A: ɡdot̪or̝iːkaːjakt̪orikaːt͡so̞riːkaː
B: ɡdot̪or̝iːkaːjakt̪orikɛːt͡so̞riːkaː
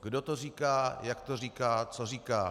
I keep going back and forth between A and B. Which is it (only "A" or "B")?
A